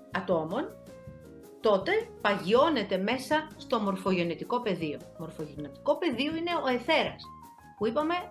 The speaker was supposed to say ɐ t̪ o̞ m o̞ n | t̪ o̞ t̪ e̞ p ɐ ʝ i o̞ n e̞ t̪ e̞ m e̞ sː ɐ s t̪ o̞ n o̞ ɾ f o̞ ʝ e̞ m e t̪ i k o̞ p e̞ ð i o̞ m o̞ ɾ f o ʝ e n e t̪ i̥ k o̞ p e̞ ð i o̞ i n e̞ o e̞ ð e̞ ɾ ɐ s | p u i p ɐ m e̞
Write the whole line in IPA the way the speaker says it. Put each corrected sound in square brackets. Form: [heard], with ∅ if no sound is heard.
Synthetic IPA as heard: ɐ t̪ o̞ m o̞ n | t̪ o̞ t̪ e̞ p ɐ ʝ i o̞ n e̞ t̪ e̞ m e̞ [s] ɐ s t̪ o̞ [m] o̞ ɾ f o̞ ʝ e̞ [n] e t̪ i k o̞ p e̞ ð i o̞ m o̞ ɾ f o ʝ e n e t̪ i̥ k o̞ p e̞ ð i o̞ i n e̞ o e̞ [θ] e̞ ɾ ɐ s | p u i p ɐ m e̞